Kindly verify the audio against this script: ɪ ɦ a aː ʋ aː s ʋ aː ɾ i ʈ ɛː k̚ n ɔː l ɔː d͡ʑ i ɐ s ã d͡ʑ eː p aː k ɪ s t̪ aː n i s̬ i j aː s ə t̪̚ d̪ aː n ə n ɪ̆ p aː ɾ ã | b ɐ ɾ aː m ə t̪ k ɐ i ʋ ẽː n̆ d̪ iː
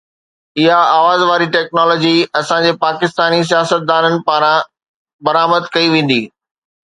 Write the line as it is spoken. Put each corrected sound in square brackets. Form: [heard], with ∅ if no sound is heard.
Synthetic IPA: ɪ ɦ a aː ʋ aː [z] ʋ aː ɾ i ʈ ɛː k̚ n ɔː l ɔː d͡ʑ i ɐ s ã d͡ʑ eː p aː k ɪ s t̪ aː n i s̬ i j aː s ə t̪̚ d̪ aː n ə n ɪ̆ p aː ɾ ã | b ɐ ɾ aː m ə [d̪] k ɐ i ʋ ẽː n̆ d̪ iː

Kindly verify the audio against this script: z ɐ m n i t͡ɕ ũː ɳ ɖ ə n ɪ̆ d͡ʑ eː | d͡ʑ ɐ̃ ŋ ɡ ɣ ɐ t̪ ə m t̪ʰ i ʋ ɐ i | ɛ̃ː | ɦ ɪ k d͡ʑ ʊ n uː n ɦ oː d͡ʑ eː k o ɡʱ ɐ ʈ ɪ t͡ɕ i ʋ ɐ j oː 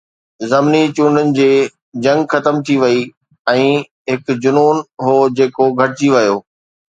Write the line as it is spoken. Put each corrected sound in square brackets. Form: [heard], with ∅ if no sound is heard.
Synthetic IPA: z ɐ m n i t͡ɕ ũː ɳ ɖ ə n ɪ̆ d͡ʑ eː | d͡ʑ ɐ̃ ŋ ɡ [x] ɐ t̪ ə m t̪ʰ i ʋ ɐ i | ɛ̃ː | ɦ ɪ k d͡ʑ ʊ n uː n ɦ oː d͡ʑ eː k o ɡʱ ɐ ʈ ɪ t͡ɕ i ʋ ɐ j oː

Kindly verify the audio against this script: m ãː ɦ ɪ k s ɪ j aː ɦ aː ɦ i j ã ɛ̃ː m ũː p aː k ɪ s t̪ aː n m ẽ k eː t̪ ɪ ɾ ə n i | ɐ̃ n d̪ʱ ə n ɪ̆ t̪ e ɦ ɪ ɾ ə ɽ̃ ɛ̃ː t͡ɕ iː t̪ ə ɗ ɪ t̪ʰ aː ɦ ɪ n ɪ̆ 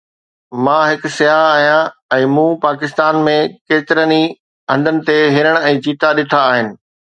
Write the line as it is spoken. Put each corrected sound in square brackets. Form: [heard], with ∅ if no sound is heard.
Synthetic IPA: m ãː ɦ ɪ k s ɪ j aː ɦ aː ɦ i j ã ɛ̃ː m ũː p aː k ɪ s t̪ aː n m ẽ k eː t̪ ɪ ɾ ə n i | ɐ̃ n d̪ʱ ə n ɪ̆ t̪ e ɦ ɪ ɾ ə ɽ̃ ɛ̃ː t͡ɕ iː t̪ [a] ɗ ɪ t̪ʰ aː ɦ ɪ n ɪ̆

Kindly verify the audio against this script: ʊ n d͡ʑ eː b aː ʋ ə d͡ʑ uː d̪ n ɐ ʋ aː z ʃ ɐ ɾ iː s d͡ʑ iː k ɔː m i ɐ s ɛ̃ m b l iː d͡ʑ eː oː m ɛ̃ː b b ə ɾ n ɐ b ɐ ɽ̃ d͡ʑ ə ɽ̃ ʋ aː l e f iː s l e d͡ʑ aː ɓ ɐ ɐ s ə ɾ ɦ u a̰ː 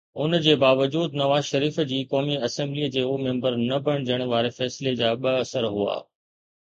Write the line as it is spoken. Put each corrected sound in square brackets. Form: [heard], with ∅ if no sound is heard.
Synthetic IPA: ʊ n d͡ʑ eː b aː ʋ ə d͡ʑ uː d̪ n ɐ ʋ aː z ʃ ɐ ɾ iː [f] d͡ʑ iː k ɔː m i ɐ s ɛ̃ m b l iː d͡ʑ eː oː m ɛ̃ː [m] b ə ɾ n ɐ b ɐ ɽ̃ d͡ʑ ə ɽ̃ ʋ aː [ɾ] e f [ɛː] s l e d͡ʑ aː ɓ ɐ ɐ s ə ɾ ɦ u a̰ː

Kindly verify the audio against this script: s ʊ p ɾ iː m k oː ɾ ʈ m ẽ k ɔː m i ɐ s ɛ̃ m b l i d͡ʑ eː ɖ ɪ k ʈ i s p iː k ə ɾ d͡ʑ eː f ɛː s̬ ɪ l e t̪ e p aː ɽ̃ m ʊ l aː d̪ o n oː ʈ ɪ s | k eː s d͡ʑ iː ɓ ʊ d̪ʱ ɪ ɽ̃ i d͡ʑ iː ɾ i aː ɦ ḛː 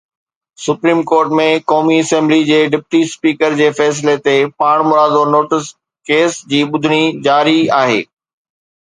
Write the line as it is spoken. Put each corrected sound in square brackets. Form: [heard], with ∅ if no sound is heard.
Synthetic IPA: s ʊ p ɾ iː m k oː ɾ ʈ m ẽ k ɔː m i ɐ s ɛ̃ m b l i d͡ʑ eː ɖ ɪ [p] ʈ i s p iː k ə ɾ d͡ʑ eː f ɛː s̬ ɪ l e t̪ e p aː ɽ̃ m ʊ [ɾ] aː d̪ o n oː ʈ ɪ s | k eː s d͡ʑ iː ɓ ʊ d̪ʱ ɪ ɽ̃ i d͡ʑ [aː] ɾ i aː ɦ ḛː

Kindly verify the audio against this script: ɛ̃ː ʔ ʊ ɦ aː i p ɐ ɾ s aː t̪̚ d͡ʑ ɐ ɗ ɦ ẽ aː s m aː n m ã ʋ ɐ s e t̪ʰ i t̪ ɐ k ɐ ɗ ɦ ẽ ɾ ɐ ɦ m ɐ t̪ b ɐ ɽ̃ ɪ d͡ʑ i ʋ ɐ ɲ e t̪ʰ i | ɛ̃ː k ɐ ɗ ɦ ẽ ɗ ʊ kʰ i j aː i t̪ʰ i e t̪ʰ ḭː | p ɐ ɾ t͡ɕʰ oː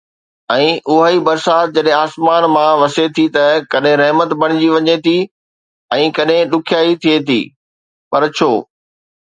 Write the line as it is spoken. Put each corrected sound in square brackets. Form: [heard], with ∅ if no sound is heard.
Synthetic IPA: ɛ̃ː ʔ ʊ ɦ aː i [b] ɐ ɾ s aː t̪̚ d͡ʑ ɐ ɗ ɦ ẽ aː s m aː n m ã ʋ ɐ s e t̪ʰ i t̪ ɐ k ɐ ɗ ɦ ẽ ɾ ɐ ɦ m [ə] t̪ b ɐ ɽ̃ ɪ d͡ʑ i ʋ ɐ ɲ e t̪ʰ i | ɛ̃ː k ɐ ɗ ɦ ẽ ɗ ʊ kʰ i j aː i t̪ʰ i e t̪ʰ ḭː | p ɐ ɾ t͡ɕʰ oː

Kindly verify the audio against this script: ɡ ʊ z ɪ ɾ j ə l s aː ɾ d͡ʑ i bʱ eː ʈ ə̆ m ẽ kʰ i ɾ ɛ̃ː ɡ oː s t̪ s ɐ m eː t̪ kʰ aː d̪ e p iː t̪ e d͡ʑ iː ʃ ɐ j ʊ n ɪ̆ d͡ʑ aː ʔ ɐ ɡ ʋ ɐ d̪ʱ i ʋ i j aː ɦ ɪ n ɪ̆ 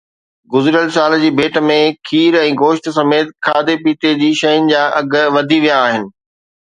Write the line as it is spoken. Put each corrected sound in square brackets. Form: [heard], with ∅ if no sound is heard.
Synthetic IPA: ɡ ʊ z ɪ ɾ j ə l s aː [l] d͡ʑ [iː] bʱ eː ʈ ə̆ m ẽ kʰ [iː] ɾ ɛ̃ː ɡ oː [ʃ] t̪ s ɐ m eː t̪ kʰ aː d̪ e p iː t̪ e d͡ʑ iː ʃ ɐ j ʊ n ɪ̆ d͡ʑ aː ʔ ɐ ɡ ʋ ɐ d̪ʱ i ʋ i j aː ɦ ɪ n ɪ̆

